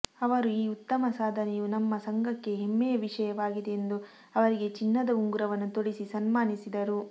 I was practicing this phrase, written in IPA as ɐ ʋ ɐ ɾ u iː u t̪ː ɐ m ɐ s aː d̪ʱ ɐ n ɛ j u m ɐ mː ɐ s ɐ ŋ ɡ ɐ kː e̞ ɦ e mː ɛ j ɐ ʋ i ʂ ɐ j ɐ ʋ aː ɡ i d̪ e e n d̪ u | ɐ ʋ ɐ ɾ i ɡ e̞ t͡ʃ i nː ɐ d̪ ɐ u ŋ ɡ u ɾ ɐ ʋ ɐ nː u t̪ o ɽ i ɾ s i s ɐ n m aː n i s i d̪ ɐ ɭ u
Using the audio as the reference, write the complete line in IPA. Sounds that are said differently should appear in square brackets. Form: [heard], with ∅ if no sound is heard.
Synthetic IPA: ɐ ʋ ɐ ɾ u iː u t̪ː ɐ m ɐ s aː d̪ʱ ɐ n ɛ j u [n] ɐ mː ɐ s ɐ ŋ ɡ ɐ kː e̞ ɦ e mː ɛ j ɐ ʋ i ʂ ɐ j ɐ ʋ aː ɡ i d̪ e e n d̪ u | ɐ ʋ ɐ ɾ i ɡ e̞ t͡ʃ i nː ɐ d̪ ɐ u ŋ ɡ u ɾ ɐ ʋ ɐ nː u t̪ o ɽ i [∅] s i s ɐ n m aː n i s i d̪ ɐ [ɾ] u